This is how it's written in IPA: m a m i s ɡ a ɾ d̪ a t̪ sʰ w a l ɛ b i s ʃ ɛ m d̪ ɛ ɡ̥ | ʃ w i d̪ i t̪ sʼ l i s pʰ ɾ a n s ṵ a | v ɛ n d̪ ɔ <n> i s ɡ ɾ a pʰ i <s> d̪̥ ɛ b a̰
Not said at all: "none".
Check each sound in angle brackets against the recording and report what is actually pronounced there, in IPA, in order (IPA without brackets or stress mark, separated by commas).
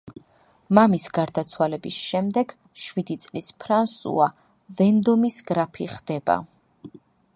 m, χ